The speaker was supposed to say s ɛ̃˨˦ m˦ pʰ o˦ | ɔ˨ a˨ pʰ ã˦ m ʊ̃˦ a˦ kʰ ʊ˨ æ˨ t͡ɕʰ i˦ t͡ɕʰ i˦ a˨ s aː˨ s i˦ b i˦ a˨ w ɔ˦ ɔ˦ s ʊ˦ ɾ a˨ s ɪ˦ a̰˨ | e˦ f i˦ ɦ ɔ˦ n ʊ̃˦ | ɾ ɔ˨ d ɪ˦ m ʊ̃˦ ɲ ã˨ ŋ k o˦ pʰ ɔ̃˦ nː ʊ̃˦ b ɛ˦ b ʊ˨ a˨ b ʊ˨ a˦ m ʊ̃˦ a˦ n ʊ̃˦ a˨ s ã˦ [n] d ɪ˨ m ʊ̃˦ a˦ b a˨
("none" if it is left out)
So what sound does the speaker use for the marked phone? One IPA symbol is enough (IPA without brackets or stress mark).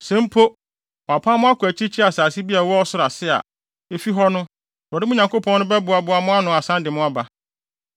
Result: n